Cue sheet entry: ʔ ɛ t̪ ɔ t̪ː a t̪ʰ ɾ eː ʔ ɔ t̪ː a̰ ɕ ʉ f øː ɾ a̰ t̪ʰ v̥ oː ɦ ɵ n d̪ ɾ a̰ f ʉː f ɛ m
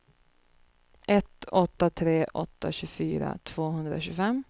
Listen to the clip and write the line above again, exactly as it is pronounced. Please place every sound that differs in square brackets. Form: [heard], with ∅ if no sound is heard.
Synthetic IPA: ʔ ɛ t̪ ɔ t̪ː a t̪ʰ ɾ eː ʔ ɔ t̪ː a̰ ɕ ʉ f [yː] ɾ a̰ t̪ʰ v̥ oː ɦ ɵ n d̪ ɾ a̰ [ɕ] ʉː f ɛ m